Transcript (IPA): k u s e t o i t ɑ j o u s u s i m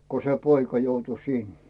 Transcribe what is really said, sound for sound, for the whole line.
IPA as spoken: k o s e p o i k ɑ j o u t u s i n